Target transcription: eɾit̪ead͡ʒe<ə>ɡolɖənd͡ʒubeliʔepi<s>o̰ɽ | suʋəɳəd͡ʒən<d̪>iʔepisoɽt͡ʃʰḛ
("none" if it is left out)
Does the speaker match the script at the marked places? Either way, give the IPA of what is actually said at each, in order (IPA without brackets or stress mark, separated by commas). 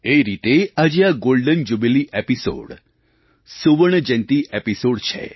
a, s, t̪